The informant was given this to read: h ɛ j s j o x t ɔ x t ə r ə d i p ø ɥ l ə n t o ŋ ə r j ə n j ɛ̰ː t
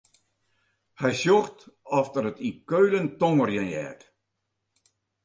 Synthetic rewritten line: h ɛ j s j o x t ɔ f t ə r ə t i k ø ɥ l ə n t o ŋ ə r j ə n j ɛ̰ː t